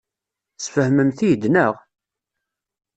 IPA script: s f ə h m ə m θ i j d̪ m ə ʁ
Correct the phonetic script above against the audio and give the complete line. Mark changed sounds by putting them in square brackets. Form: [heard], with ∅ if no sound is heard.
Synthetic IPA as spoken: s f ə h m ə m θ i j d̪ [n] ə ʁ